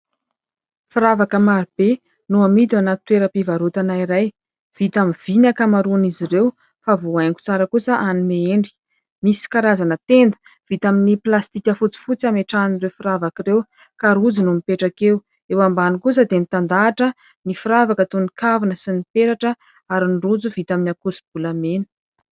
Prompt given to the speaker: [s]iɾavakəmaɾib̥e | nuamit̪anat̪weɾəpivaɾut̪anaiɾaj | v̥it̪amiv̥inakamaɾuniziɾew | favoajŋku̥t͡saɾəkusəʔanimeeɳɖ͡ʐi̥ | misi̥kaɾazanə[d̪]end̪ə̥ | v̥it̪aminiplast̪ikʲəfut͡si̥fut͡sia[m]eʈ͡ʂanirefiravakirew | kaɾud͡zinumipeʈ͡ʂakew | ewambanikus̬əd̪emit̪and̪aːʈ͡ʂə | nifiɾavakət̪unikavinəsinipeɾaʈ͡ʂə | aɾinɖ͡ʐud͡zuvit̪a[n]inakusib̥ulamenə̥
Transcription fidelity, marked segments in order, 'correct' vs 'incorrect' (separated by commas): incorrect, incorrect, correct, incorrect